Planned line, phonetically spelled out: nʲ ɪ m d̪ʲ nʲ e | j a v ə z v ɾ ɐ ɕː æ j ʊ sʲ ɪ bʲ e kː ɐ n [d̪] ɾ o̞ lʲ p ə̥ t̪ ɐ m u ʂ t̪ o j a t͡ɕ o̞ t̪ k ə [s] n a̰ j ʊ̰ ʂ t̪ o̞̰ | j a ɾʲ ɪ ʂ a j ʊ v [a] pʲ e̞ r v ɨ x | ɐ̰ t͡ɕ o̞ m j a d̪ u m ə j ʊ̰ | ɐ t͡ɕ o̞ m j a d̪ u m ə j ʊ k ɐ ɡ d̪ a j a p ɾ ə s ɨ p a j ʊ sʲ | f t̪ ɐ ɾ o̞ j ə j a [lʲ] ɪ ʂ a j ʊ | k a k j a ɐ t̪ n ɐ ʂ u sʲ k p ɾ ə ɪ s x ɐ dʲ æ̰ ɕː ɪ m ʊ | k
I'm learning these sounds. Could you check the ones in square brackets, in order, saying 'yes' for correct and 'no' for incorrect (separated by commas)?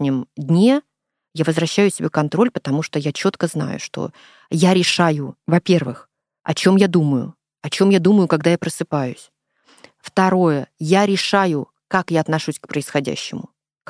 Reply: no, no, no, no